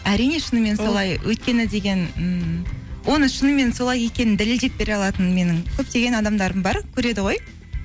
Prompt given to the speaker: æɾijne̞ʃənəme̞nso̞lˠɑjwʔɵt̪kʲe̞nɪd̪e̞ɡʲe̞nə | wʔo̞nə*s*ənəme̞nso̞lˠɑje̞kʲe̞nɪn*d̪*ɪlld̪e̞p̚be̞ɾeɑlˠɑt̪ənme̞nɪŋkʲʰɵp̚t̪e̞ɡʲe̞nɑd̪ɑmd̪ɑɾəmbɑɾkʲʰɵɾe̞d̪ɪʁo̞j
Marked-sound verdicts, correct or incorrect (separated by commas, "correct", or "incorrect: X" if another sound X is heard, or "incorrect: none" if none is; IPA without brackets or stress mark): incorrect: ʃ, correct